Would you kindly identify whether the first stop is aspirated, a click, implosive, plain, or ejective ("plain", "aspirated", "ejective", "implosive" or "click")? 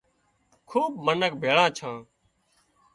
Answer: aspirated